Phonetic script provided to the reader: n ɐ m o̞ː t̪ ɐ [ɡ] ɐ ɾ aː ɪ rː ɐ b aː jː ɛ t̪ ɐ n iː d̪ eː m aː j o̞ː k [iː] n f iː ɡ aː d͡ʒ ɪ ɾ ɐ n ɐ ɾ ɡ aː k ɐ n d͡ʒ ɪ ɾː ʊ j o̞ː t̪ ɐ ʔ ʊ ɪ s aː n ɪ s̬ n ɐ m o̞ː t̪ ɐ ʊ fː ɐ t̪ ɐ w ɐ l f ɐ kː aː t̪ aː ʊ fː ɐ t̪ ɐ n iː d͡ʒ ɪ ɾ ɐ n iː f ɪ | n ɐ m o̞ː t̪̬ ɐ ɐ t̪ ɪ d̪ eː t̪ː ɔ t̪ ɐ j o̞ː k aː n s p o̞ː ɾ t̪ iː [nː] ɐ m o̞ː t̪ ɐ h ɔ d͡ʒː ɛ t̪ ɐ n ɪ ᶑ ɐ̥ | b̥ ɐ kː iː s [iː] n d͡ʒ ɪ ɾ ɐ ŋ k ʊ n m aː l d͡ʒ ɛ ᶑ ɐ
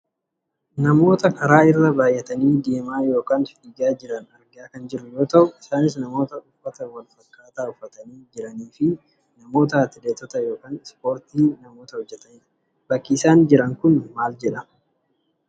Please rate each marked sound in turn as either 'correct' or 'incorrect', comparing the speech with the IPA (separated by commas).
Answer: incorrect, incorrect, incorrect, incorrect